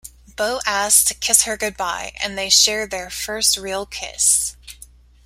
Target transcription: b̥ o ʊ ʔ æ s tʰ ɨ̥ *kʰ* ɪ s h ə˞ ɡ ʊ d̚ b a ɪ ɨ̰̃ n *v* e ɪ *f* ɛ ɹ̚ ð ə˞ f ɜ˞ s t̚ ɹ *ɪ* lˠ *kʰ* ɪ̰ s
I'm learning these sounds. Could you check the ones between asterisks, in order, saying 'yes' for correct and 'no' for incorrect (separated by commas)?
yes, no, no, no, yes